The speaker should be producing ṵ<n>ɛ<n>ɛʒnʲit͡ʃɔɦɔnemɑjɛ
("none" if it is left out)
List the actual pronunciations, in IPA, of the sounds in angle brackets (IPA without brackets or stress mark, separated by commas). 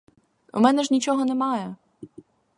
m, n